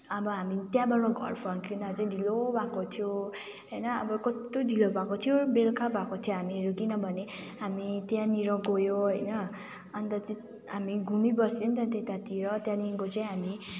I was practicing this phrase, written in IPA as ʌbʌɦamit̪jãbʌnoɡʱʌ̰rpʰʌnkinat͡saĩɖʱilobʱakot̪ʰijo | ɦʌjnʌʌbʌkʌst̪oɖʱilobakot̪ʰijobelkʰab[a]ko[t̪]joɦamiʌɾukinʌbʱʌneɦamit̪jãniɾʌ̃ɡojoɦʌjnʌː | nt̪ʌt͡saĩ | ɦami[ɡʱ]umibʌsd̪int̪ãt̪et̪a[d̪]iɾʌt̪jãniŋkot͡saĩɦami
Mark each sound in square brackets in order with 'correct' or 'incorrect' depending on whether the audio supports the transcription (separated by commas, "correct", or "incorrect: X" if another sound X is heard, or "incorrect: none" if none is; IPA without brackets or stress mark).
correct, incorrect: t̪ʰ, correct, incorrect: t̪